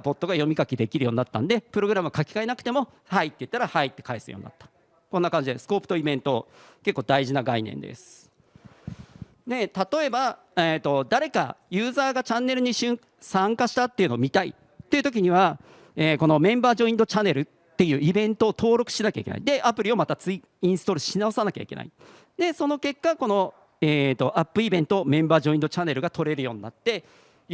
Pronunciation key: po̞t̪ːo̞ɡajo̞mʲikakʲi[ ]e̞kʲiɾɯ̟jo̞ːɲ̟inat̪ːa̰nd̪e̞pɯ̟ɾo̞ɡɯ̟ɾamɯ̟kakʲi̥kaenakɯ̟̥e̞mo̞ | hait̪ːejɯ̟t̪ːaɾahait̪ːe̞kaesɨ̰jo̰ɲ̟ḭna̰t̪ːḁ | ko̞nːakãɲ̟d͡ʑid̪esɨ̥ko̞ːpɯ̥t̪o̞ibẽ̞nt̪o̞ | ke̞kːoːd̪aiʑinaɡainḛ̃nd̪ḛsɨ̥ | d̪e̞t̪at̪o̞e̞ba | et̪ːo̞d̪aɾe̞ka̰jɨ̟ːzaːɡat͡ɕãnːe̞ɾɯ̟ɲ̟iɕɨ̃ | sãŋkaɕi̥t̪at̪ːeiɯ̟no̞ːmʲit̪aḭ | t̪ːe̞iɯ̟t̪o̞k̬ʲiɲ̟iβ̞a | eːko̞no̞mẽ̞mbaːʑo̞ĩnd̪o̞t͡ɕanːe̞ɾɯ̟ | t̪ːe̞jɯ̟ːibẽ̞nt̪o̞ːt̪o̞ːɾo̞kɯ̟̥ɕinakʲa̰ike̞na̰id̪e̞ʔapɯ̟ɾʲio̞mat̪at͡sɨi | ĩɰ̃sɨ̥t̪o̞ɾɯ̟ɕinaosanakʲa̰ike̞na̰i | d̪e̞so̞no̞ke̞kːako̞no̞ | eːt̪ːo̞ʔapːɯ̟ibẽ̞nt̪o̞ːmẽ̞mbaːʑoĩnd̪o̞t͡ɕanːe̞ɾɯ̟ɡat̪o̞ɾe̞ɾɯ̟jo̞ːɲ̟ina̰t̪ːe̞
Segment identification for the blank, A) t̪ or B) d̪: B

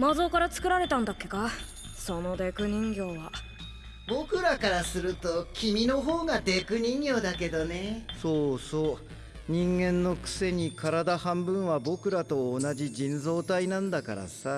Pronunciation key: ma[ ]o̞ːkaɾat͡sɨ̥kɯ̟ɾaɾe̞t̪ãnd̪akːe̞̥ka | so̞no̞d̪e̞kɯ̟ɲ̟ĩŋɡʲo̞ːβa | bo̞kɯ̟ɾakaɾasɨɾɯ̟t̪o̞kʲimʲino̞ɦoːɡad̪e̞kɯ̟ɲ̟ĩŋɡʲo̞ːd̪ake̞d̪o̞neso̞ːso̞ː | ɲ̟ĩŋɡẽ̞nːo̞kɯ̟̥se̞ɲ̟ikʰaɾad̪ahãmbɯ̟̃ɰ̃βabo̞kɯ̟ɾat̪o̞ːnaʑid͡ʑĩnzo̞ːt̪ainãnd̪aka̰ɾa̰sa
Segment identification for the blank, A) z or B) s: A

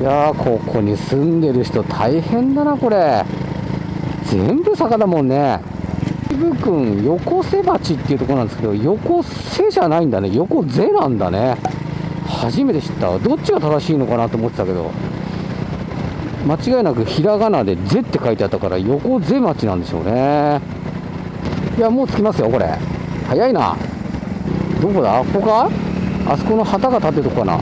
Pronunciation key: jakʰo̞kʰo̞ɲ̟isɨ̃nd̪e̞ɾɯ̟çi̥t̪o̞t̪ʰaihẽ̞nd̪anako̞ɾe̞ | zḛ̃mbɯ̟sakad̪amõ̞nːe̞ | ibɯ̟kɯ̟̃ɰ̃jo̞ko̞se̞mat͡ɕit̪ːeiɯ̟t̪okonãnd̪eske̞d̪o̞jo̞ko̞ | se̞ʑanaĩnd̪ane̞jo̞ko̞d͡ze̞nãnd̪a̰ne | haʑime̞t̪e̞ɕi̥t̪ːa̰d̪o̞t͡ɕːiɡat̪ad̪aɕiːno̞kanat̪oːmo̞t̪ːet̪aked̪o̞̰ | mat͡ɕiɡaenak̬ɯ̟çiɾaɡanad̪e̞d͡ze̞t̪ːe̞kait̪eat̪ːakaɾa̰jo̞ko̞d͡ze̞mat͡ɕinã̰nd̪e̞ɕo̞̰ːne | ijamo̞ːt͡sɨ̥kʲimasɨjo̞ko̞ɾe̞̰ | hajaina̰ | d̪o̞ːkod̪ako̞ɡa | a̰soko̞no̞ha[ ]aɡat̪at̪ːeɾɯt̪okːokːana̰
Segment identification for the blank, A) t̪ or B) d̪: A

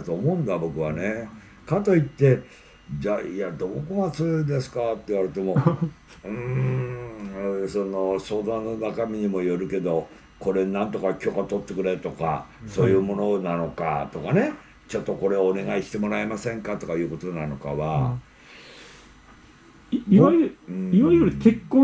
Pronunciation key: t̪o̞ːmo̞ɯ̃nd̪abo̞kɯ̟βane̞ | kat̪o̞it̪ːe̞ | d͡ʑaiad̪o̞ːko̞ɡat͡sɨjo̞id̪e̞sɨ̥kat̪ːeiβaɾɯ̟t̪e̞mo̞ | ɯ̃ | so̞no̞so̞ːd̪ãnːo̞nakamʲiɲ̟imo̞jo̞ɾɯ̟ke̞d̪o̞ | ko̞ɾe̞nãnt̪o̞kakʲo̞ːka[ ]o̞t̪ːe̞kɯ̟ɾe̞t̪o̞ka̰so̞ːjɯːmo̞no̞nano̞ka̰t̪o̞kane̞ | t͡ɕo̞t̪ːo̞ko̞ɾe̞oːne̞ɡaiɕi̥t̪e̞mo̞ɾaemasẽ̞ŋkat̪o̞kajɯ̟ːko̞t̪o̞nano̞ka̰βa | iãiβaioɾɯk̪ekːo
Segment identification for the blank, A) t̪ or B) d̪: A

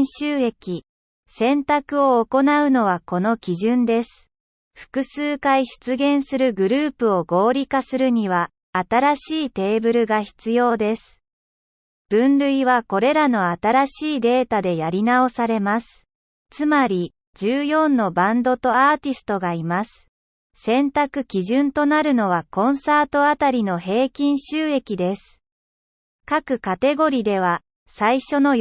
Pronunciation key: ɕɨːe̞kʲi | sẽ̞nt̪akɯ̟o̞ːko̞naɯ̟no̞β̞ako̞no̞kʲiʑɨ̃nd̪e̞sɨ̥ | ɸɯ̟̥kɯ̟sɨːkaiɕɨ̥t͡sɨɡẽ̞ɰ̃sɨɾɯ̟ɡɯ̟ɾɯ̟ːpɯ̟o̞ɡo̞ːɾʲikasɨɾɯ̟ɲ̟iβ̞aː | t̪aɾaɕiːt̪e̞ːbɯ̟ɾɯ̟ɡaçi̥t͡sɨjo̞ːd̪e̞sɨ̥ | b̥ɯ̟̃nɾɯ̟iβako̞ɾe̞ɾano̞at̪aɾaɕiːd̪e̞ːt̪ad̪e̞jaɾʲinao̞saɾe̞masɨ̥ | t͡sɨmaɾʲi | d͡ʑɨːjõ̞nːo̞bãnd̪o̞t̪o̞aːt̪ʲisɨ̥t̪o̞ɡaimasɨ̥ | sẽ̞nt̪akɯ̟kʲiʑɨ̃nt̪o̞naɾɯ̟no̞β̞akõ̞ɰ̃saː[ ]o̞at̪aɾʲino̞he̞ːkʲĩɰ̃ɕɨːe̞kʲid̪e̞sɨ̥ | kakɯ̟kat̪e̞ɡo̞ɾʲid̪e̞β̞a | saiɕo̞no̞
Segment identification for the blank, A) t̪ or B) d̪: A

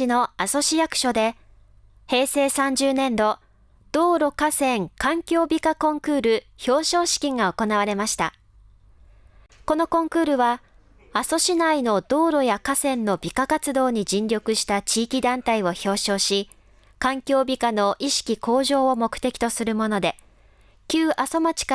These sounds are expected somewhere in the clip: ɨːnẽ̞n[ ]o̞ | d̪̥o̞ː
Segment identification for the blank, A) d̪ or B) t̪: A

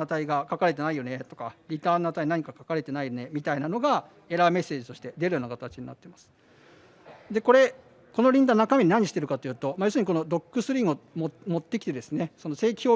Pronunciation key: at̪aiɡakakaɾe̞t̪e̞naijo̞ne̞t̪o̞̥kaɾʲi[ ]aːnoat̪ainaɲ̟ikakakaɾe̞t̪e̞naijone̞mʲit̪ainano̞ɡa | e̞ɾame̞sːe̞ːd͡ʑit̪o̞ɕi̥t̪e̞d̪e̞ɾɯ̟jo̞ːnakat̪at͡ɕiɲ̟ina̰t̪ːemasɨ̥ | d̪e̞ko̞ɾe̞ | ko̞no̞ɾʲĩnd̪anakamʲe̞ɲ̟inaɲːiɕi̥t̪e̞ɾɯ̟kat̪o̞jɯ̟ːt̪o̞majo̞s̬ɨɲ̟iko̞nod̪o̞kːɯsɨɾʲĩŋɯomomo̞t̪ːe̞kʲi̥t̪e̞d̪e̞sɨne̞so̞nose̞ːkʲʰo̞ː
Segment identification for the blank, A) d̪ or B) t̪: B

